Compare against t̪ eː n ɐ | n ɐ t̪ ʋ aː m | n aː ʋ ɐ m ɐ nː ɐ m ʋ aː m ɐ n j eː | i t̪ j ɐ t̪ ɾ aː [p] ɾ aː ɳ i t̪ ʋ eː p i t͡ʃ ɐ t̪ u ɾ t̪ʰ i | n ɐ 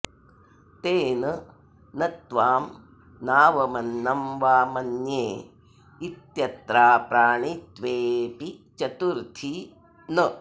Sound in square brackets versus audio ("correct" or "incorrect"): correct